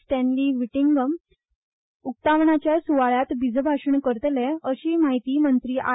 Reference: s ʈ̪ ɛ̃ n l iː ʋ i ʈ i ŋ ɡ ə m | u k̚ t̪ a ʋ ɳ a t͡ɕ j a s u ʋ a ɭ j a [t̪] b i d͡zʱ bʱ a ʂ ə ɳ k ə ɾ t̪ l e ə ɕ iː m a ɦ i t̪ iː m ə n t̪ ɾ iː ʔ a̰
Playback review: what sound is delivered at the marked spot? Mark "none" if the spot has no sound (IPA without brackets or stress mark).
t̪